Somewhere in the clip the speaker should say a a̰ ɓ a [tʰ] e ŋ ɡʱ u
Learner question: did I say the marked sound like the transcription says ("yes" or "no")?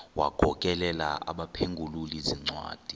no